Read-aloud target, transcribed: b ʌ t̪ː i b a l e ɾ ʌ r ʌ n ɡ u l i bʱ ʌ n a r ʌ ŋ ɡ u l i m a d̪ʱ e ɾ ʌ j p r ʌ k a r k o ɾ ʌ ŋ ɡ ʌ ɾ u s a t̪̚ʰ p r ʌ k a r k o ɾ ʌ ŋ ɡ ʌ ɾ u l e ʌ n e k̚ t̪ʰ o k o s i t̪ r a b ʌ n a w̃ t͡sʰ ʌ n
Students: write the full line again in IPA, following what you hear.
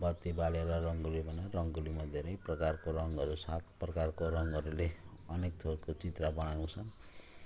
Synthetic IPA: b ʌ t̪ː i b a l e ɾ ʌ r ʌ ŋ ɡ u l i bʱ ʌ n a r ʌ ŋ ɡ u l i m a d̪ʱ e ɾ ʌ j p r ʌ k a r k o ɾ ʌ ŋ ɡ ʌ ɾ u s a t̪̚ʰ p r ʌ k a r k o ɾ ʌ ŋ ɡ ʌ ɾ u l e ʌ n e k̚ t̪ʰ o k o t͡s i t̪ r a b ʌ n a w̃ t͡sʰ ʌ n

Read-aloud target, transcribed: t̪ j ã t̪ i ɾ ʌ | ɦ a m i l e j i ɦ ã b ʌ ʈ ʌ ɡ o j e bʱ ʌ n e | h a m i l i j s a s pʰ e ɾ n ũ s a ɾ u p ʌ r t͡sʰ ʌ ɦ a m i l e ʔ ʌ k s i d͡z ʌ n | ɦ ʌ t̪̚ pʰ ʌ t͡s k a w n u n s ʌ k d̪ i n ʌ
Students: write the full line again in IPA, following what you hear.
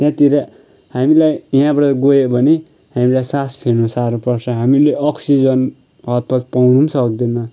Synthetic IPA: t̪ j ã t̪ i ɾ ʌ | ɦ a m i l a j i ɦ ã b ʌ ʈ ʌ ɡ o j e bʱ ʌ n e | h a m i l a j s a s pʰ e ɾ n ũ s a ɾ u p ʌ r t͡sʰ ʌ ɦ a m i l e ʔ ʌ k s i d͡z ʌ n | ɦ ʌ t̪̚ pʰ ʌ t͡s p a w n u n s ʌ k d̪ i n ʌ

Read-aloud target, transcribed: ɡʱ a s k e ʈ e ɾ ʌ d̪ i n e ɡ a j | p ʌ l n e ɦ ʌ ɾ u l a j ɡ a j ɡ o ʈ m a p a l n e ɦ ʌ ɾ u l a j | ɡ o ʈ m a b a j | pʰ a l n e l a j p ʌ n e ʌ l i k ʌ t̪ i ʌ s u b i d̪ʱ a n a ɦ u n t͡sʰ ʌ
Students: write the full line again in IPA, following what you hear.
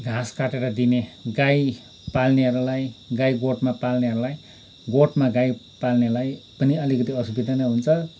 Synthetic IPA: ɡʱ a s k a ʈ e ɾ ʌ d̪ i n e ɡ a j | p a l n e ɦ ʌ ɾ u l a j ɡ a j ɡ o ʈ m a p a l n e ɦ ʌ ɾ u l a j | ɡ o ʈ m a ɡ a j | p a l n e l a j p ʌ n i ʌ l i k ʌ t̪ i ʌ s u b i d̪ʱ a n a ɦ u n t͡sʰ ʌ

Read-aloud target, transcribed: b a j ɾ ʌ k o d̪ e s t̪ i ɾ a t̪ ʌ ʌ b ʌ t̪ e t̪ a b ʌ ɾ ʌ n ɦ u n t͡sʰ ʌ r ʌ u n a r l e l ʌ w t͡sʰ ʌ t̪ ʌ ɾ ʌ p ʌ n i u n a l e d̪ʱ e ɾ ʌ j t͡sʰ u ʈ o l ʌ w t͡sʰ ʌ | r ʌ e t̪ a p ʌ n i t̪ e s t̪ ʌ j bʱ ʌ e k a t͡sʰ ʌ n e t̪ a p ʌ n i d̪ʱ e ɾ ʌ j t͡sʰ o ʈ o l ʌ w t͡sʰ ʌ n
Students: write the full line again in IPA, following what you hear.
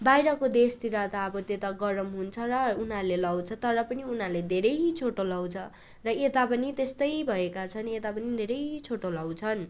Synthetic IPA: b a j ɾ ʌ k o d̪ e s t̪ i ɾ a t̪ a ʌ b ʌ t̪ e t̪ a ɡ ʌ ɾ ʌ m ɦ u n t͡sʰ ʌ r ʌ u n a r l e l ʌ w t͡sʰ ʌ t̪ ʌ ɾ ʌ p ʌ n i u n a l e d̪ʱ e ɾ ʌ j t͡sʰ o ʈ o l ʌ w t͡sʰ ʌ | r ʌ e t̪ a p ʌ n i t̪ e s t̪ ʌ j bʱ ʌ e k a t͡sʰ ʌ n e t̪ a p ʌ n i d̪ʱ e ɾ ʌ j t͡sʰ o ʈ o l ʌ w t͡sʰ ʌ n

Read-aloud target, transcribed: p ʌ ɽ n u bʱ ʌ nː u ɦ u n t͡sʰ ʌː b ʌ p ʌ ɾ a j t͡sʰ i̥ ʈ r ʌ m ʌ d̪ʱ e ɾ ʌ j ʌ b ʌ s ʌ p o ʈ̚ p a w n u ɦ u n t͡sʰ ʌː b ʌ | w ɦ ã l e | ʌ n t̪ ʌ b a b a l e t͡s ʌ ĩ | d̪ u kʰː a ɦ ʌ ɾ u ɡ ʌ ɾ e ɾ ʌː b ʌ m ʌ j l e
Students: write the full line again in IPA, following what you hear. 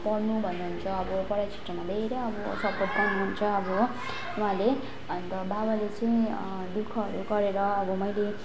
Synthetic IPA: p ʌ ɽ n u bʱ ʌ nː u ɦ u n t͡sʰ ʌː b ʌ p ʌ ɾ a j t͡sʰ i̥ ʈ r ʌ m a d̪ʱ e ɾ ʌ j ʌ b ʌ s ʌ p o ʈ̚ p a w n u ɦ u n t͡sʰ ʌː b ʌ | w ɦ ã l e | ʌ n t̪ ʌ b a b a l e t͡s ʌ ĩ | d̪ u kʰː ʌ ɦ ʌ ɾ u ɡ ʌ ɾ e ɾ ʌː b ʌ m ʌ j l e

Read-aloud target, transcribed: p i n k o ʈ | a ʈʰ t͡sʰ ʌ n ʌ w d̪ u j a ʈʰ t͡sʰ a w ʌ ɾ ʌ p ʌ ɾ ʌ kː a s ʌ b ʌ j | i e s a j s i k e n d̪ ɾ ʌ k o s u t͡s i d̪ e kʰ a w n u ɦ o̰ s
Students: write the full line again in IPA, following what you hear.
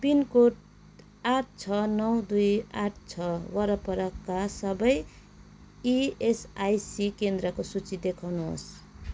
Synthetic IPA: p i n k o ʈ | a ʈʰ t͡sʰ ʌ n ʌ w d̪ u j a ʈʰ t͡sʰ ʌ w ʌ ɾ ʌ p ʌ ɾ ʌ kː a s ʌ b ʌ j | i e s a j s i k e n d̪ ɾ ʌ k o s u t͡s i d̪ e kʰ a w n u ɦ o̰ s

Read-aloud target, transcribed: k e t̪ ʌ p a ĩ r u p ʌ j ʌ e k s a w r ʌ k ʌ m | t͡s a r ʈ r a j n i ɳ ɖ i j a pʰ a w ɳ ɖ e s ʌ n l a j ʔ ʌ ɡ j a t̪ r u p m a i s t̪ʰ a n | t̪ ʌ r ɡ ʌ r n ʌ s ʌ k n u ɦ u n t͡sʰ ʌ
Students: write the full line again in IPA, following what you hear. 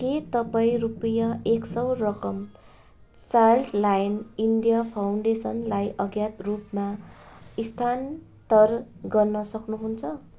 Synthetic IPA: k e t̪ ʌ p a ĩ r u p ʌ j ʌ e k s ʌ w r ʌ k ʌ m | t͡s a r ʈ l a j n i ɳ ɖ i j a pʰ a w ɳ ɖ e s ʌ n l a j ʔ ʌ ɡ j a t̪ r u p m a i s t̪ʰ a n | t̪ ʌ r ɡ ʌ r n ʌ s ʌ k n u ɦ u n t͡sʰ ʌ

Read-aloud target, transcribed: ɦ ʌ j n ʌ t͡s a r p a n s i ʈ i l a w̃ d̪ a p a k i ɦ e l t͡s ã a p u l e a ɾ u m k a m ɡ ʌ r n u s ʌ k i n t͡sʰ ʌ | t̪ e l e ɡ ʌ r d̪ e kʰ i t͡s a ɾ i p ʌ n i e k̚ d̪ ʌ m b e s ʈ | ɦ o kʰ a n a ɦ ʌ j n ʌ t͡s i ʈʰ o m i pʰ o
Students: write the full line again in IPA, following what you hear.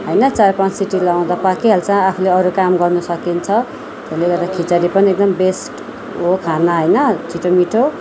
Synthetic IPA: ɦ ʌ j n ʌ t͡s a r p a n s i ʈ i l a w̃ d̪ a p a k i ɦ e l t͡s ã a pʰ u l e ʌ ɾ u k a m ɡ ʌ r n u s ʌ k i n t͡sʰ ʌ | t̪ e l e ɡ ʌ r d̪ a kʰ i t͡s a ɾ i p ʌ n i e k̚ d̪ ʌ m b e s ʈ | ɦ o kʰ a n a ɦ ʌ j n ʌ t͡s i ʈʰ o m i ʈʰ o

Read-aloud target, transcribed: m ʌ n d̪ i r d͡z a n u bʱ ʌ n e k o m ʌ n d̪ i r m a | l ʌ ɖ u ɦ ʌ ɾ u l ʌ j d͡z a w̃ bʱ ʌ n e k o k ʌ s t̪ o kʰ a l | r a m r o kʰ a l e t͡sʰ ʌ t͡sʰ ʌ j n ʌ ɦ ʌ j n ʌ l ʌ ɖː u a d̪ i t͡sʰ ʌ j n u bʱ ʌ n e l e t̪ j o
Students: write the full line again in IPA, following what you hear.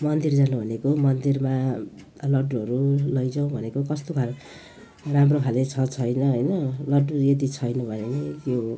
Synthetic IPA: m ʌ n d̪ i r d͡z a n u bʱ ʌ n e k o m ʌ n d̪ i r m a | l ʌ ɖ u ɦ ʌ ɾ u l ʌ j d͡z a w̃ bʱ ʌ n e k o k ʌ s t̪ o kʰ a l | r a m r o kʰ a l e t͡sʰ ʌ t͡sʰ ʌ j n ʌ ɦ ʌ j n ʌ l ʌ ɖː u e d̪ i t͡sʰ ʌ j n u bʱ ʌ n e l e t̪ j o

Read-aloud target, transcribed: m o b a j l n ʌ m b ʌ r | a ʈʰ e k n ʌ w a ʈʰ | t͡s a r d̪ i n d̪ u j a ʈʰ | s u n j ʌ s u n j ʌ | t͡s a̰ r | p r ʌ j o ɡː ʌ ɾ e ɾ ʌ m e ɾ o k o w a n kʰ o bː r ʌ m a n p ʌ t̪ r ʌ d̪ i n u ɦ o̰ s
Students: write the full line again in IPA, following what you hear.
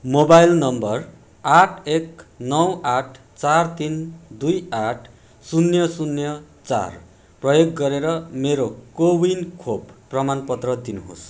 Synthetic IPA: m o b a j l n ʌ m b ʌ r | a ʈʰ e k n ʌ w a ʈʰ | t͡s a r t̪ i n d̪ u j a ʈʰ | s u n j ʌ s u n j ʌ | t͡s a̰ r | p r ʌ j o ɡː ʌ ɾ e ɾ ʌ m e ɾ o k o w i n kʰ o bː r ʌ m a n p ʌ t̪ r ʌ d̪ i n u ɦ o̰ s

